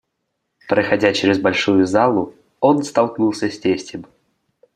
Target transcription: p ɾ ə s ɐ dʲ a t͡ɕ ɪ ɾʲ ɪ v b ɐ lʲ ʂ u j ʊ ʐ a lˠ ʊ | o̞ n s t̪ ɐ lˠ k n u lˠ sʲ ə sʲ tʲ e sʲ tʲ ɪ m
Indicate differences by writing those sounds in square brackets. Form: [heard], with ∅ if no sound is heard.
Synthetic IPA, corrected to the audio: p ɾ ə [x] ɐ dʲ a t͡ɕ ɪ ɾʲ ɪ [z] b ɐ lʲ ʂ u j ʊ [z] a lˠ ʊ | o̞ n s t̪ ɐ lˠ k n u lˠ sʲ ə sʲ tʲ e sʲ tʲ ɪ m